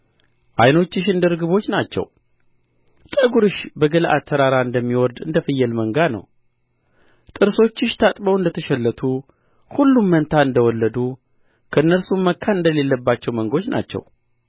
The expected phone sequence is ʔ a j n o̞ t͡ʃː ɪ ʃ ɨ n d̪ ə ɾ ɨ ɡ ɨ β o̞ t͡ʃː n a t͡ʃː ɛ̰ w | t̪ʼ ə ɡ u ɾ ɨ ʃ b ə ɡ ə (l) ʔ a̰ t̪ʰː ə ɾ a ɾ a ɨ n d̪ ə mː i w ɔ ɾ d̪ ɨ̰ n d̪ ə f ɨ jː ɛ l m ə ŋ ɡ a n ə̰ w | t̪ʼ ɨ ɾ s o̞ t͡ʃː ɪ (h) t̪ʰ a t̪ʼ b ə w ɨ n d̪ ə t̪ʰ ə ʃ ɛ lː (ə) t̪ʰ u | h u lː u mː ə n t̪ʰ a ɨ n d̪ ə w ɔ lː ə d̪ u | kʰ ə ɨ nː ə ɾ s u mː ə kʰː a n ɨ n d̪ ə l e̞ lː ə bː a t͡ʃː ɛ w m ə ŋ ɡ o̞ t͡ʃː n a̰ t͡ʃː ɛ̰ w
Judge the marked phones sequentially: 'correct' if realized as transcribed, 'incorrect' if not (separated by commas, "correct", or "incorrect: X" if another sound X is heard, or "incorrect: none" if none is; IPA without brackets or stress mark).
correct, incorrect: ʃ, correct